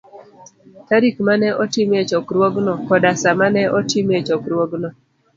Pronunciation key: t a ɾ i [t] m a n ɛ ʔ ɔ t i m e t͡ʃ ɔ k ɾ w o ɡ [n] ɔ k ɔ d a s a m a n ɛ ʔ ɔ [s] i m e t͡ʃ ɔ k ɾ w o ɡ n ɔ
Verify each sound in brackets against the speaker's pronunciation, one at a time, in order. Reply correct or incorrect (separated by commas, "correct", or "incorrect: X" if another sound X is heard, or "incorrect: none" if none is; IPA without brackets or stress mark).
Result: incorrect: k, correct, incorrect: t